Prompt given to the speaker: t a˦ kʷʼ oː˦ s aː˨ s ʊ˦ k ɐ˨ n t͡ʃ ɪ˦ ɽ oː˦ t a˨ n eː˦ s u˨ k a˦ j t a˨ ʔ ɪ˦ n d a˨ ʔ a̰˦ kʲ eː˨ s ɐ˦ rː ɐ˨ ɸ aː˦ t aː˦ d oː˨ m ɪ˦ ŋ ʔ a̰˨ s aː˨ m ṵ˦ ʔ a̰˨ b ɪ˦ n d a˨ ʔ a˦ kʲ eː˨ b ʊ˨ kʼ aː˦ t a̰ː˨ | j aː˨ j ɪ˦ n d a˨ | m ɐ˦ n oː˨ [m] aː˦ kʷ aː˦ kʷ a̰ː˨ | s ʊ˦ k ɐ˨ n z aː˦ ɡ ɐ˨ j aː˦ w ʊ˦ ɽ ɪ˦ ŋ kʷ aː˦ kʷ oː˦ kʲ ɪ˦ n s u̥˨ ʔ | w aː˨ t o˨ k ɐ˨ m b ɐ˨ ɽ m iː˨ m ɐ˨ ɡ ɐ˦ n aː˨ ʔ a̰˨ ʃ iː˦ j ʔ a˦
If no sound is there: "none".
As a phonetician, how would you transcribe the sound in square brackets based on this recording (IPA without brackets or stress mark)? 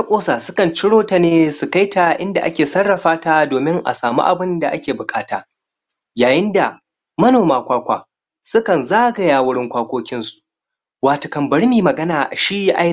m